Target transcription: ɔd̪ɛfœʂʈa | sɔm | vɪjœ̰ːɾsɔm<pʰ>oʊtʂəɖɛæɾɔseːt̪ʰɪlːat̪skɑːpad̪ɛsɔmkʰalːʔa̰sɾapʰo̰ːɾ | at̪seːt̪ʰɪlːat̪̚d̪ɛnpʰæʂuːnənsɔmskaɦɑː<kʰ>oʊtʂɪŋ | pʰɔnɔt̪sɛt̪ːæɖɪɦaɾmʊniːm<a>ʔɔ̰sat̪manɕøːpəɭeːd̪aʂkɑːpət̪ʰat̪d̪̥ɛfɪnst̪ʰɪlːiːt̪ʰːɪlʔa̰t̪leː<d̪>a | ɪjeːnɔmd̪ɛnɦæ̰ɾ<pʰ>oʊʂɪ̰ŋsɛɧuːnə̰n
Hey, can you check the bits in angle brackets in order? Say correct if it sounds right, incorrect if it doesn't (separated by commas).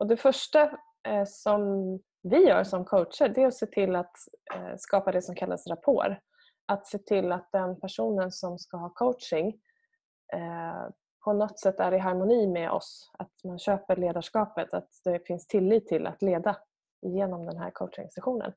incorrect, correct, incorrect, correct, incorrect